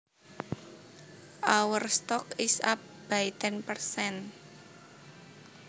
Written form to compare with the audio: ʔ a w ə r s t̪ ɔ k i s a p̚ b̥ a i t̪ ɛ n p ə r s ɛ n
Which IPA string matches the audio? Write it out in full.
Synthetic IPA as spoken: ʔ a w ə r s t̪ ɔ k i s a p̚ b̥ a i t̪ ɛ n p ə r s ɛ n